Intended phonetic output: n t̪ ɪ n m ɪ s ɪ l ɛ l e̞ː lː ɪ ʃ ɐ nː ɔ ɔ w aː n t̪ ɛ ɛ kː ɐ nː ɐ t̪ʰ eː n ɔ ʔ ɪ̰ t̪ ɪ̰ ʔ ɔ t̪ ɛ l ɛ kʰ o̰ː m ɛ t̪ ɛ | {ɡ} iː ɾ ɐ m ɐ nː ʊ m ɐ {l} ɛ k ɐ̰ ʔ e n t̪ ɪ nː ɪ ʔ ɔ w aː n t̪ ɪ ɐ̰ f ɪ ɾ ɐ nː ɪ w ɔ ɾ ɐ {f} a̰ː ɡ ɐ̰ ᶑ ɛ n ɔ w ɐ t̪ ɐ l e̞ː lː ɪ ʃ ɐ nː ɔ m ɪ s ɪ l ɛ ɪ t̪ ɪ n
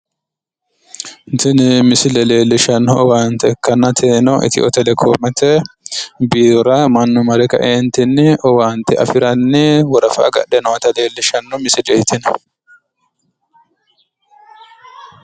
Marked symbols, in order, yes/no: no, no, yes

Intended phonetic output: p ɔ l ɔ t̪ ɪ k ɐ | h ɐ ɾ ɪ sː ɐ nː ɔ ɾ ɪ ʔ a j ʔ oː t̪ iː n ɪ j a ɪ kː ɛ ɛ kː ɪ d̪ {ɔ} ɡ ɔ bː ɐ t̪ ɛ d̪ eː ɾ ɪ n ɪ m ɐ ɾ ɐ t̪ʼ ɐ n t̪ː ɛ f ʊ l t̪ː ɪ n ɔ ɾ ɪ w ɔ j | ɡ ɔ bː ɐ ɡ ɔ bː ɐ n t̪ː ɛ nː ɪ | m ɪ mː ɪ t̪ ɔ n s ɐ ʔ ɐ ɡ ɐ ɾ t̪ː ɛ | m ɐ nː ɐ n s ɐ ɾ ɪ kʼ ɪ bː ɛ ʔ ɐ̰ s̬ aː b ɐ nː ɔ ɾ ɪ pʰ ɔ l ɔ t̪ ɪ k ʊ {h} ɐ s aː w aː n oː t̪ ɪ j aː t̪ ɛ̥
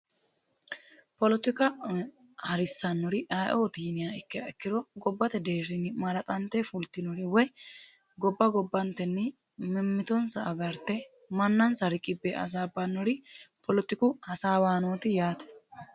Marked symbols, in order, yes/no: yes, yes

